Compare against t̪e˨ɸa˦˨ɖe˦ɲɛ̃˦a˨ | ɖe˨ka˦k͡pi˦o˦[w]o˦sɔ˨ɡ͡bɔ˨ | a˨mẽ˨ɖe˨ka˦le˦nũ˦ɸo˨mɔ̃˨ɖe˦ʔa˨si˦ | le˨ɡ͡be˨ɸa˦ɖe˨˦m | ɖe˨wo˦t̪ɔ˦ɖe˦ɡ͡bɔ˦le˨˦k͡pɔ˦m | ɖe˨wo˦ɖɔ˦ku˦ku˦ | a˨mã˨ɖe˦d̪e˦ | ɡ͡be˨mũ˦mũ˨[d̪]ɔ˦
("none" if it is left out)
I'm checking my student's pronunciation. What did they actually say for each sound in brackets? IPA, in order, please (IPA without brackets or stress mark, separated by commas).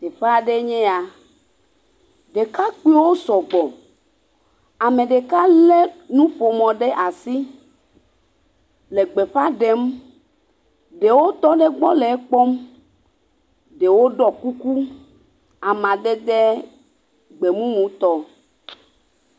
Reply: w, t̪